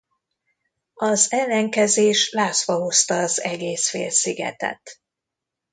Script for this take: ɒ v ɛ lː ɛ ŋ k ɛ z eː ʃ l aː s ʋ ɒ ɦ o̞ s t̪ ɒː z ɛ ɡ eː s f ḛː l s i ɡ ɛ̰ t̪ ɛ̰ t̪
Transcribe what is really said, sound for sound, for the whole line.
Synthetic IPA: ɒ z ɛ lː ɛ ŋ k ɛ z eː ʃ l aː s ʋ ɒ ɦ o̞ s t̪ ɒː z ɛ ɡ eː s f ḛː l s i ɡ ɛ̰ t̪ ɛ̰ t̪